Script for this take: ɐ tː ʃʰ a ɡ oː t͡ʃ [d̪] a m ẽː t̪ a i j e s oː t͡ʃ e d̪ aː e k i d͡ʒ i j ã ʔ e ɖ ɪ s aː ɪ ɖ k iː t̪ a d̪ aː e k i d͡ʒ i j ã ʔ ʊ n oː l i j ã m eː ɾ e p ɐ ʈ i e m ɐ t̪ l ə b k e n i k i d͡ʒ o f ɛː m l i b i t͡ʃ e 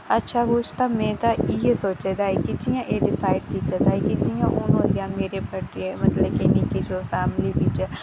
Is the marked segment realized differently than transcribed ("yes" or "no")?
yes